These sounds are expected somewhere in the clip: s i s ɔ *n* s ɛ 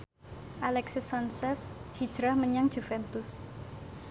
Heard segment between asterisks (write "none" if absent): n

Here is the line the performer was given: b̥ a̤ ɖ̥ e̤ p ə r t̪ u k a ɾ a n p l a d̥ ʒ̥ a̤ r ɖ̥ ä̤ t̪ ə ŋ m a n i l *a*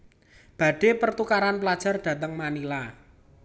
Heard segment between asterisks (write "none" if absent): a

